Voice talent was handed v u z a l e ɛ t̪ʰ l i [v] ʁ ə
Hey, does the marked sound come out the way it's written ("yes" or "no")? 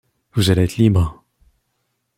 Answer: no